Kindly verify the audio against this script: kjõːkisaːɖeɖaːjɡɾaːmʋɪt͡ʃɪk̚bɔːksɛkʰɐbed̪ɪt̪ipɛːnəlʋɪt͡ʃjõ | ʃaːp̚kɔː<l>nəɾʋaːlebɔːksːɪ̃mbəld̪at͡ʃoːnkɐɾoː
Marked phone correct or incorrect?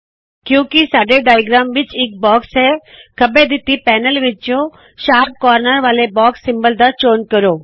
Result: incorrect